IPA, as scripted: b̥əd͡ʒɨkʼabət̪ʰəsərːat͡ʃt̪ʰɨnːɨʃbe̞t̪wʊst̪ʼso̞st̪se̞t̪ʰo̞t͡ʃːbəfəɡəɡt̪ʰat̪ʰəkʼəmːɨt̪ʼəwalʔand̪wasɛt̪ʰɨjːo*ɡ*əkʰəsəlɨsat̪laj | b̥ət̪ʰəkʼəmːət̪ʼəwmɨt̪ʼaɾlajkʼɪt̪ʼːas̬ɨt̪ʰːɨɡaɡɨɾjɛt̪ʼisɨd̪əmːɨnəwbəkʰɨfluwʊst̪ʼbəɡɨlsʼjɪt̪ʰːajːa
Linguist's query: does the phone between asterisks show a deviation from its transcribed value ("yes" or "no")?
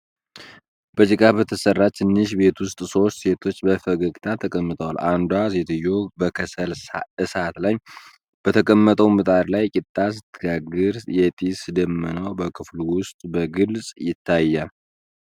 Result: yes